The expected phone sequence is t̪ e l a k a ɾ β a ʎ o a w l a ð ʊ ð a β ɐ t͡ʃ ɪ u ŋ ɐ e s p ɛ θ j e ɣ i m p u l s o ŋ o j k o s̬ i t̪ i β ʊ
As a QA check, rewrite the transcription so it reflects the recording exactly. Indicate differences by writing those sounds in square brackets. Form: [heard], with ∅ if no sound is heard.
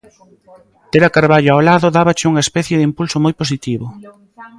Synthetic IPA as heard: t̪ e [ɾ] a k a ɾ β a ʎ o a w l a ð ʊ ð a β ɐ t͡ʃ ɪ u ŋ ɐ e s p ɛ θ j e [ð] i m p u l s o [m] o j [p] o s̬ i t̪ i β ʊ